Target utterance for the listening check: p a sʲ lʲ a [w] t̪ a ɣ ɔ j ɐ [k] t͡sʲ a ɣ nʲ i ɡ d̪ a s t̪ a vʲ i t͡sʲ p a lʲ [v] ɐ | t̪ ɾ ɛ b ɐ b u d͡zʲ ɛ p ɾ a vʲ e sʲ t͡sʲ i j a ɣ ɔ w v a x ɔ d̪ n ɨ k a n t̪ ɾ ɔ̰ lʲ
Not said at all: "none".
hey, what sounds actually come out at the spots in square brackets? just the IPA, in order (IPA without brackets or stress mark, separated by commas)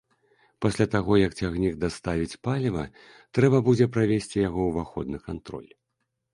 none, k, v